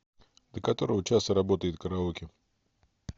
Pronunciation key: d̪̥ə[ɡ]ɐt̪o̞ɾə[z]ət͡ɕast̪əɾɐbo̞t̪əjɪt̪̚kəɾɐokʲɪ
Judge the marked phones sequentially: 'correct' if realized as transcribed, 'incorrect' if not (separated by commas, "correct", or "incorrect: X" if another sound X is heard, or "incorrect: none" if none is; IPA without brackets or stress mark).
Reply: incorrect: k, incorrect: v